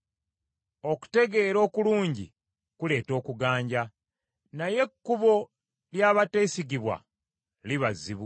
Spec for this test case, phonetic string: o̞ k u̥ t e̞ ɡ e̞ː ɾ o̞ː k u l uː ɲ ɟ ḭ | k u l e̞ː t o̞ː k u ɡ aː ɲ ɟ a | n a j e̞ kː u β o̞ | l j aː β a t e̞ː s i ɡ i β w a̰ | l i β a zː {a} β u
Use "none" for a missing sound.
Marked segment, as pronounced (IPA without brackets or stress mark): i